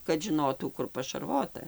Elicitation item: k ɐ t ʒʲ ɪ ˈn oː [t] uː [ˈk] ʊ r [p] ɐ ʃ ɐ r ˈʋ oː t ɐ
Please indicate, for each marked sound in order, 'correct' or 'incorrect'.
correct, correct, correct

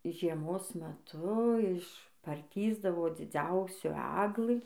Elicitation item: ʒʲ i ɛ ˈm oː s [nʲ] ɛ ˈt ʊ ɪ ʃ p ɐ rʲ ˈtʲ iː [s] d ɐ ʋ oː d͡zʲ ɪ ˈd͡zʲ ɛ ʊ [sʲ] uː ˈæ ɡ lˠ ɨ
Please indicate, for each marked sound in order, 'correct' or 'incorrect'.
incorrect, incorrect, correct

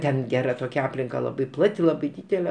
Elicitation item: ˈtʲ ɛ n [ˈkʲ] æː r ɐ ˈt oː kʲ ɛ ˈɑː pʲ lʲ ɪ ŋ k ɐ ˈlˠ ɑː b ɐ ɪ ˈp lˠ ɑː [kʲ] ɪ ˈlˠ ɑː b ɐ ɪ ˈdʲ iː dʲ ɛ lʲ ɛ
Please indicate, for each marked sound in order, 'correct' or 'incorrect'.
incorrect, incorrect

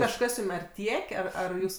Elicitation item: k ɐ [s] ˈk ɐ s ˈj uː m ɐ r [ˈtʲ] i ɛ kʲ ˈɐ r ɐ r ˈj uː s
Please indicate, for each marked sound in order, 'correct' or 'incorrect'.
incorrect, correct

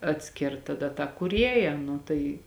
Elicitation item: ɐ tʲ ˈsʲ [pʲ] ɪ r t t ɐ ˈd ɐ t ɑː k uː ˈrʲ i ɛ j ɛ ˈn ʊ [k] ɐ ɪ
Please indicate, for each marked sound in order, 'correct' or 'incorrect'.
incorrect, incorrect

